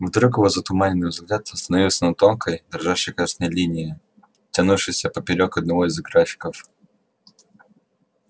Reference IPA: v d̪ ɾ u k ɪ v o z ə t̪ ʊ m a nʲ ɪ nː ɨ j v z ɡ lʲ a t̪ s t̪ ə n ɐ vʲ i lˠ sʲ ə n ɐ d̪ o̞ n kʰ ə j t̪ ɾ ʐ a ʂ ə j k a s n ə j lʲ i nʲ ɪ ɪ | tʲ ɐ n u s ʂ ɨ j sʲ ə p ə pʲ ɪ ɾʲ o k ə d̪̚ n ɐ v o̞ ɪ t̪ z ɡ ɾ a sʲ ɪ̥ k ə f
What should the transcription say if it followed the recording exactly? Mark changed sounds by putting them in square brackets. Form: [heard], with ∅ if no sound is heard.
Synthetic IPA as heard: v d̪ ɾ u k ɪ v o z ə t̪ ʊ m a nʲ ɪ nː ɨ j v z ɡ lʲ a t̪ s t̪ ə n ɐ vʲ i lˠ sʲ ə n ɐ [t̪] o̞ n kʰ ə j [d̪] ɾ ʐ a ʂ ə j k a s n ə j lʲ i nʲ ɪ ɪ | tʲ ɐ n u [f] ʂ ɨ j sʲ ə p ə pʲ ɪ ɾʲ o k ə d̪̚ n ɐ v o̞ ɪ [∅] z ɡ ɾ a [fʲ] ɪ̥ k ə f

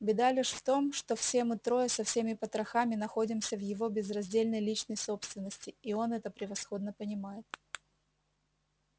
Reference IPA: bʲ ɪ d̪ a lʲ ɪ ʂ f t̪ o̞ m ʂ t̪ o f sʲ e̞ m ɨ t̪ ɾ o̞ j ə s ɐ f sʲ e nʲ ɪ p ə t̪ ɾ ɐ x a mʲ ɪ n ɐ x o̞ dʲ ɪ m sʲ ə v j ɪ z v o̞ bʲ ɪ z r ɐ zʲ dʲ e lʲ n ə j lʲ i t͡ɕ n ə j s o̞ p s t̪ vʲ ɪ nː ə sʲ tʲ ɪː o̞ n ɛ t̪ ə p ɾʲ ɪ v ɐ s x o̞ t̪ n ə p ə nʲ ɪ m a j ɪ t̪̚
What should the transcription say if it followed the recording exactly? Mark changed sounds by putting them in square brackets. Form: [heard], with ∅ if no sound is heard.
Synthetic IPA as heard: bʲ ɪ d̪ a lʲ ɪ ʂ f t̪ o̞ m ʂ t̪ o f sʲ e̞ m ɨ t̪ ɾ o̞ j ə s ɐ f sʲ e [mʲ] ɪ p ə t̪ ɾ ɐ x a mʲ ɪ n ɐ x o̞ dʲ ɪ m sʲ ə v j ɪ [∅] v o̞ bʲ ɪ z r ɐ zʲ dʲ e lʲ n ə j lʲ i t͡ɕ n ə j s o̞ p s t̪ vʲ ɪ nː ə sʲ tʲ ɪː o̞ n ɛ t̪ ə p ɾʲ ɪ v ɐ s x o̞ [d̪] n ə p ə nʲ ɪ m a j ɪ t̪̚

